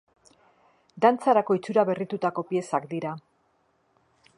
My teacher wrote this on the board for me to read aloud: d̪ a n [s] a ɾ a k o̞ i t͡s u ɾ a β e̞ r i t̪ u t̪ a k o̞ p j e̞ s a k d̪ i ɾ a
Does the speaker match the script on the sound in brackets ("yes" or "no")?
no